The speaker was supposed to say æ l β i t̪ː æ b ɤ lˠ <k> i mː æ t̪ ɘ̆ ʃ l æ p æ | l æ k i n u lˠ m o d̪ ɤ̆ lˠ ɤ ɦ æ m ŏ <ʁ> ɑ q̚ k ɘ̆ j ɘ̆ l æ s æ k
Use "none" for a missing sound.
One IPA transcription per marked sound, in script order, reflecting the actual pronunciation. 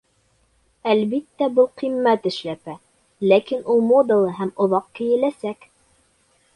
q, ð

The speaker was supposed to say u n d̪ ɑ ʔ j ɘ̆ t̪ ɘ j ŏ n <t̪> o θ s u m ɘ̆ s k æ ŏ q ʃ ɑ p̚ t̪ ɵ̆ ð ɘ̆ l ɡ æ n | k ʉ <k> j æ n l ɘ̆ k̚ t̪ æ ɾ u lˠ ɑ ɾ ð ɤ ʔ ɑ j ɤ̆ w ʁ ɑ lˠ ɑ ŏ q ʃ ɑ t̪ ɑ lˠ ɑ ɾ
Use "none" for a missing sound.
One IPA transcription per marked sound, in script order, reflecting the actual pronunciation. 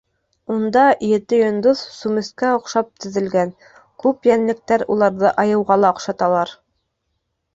d̪, p

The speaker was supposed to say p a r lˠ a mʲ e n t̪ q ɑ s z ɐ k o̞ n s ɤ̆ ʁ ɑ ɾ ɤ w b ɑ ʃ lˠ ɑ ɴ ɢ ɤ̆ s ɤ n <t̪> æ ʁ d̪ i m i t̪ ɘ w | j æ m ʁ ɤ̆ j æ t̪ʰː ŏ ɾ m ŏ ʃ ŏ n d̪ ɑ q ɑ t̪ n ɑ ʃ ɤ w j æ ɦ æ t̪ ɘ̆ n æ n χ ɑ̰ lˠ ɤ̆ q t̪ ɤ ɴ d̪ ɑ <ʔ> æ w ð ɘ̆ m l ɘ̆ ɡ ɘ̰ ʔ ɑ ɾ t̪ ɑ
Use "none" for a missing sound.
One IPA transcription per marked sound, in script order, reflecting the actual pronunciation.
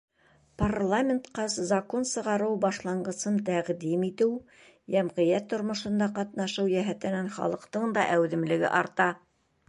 t̪, ʔ

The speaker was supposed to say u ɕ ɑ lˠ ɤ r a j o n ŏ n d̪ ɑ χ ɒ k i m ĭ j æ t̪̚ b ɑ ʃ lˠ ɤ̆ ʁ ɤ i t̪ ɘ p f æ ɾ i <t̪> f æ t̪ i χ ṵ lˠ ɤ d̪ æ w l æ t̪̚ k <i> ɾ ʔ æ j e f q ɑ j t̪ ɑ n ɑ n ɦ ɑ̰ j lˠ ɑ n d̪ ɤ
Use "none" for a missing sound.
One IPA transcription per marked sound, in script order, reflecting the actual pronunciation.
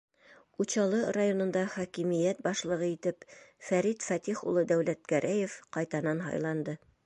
t̪, æ

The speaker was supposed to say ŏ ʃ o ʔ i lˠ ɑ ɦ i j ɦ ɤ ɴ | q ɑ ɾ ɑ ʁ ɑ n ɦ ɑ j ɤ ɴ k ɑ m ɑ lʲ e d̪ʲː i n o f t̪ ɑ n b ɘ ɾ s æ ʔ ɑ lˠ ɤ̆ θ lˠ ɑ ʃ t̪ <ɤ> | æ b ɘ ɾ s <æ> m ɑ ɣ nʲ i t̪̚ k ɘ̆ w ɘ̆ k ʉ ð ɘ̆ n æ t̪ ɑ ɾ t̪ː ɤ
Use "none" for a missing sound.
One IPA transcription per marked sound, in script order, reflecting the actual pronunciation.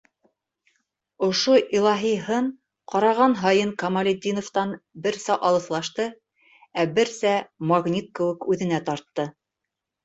ɤ, æ

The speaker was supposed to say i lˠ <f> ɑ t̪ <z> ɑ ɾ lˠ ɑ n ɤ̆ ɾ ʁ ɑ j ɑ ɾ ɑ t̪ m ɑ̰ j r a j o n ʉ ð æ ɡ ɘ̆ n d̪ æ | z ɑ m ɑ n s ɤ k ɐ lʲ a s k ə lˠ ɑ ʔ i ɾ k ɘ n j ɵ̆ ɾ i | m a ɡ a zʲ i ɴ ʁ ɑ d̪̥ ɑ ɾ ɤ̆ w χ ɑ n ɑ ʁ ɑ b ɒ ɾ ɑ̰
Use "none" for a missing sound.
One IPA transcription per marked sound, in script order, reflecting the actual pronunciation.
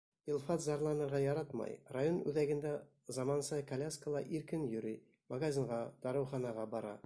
f, z

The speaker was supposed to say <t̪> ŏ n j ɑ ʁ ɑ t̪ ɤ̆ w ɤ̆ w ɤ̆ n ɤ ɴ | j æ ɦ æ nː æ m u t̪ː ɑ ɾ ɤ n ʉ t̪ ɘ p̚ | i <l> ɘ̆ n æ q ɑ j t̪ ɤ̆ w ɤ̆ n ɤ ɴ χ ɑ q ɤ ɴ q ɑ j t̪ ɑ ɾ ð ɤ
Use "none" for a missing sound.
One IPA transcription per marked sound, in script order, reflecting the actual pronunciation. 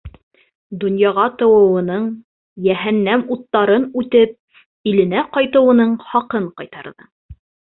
d̪, l

